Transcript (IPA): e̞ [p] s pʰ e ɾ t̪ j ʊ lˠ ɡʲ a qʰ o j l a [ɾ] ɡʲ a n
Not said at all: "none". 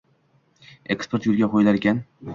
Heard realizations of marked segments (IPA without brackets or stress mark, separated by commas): k, ɾ